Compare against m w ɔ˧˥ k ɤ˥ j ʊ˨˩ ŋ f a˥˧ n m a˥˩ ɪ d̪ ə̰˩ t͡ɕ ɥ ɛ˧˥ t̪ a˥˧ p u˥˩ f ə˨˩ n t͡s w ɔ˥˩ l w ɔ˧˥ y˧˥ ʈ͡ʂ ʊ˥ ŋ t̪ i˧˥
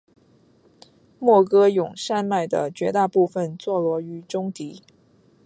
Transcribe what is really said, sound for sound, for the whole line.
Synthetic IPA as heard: m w ɔ˥˩ k ɤ˥ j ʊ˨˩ ŋ ʂ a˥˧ n m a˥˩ ɪ d̪ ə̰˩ t͡ɕ ɥ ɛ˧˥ t̪ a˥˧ p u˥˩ f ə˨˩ n t͡s w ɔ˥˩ l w ɔ˧˥ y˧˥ ʈ͡ʂ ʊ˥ ŋ t̪ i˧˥